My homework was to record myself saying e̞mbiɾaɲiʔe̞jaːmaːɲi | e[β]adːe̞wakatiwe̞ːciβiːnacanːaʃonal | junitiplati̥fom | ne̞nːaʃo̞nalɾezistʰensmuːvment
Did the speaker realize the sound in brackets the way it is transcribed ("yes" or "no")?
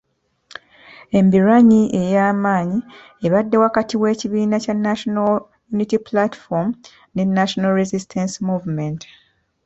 yes